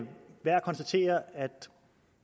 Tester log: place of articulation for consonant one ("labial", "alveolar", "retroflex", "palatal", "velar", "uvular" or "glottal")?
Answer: labial